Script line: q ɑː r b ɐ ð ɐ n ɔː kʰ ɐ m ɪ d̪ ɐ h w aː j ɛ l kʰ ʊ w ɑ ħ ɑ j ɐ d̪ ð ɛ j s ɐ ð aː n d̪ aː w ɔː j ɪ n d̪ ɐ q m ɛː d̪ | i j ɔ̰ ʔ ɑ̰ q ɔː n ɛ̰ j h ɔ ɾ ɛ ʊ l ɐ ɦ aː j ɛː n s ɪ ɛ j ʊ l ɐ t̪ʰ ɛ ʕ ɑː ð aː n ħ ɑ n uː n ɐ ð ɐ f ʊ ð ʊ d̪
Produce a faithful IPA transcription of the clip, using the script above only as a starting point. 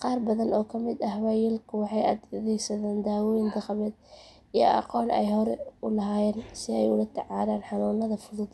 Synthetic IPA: q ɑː r b ɐ ð ɐ n ɔː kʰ ɐ m ɪ d̪ ɐ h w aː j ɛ l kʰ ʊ w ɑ ħ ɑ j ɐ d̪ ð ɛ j s ɐ ð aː n d̪ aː w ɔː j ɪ n d̪ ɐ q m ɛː d̪ | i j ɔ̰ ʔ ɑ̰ q ɔː n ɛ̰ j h ɔ ɾ ɛ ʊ l ɐ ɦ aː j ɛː n s ɪ ɛ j ʊ l ɐ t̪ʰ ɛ ʕ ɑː ð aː n ħ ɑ n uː n ɐ ð ɐ f ʊ ð ʊ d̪